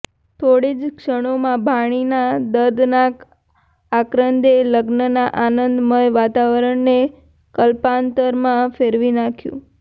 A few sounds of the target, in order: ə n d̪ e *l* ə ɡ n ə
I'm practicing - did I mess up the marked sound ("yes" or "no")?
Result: no